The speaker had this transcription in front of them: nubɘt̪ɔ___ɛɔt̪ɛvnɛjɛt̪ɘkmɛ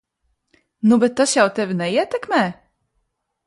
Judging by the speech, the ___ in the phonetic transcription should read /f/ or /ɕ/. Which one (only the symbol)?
ɕ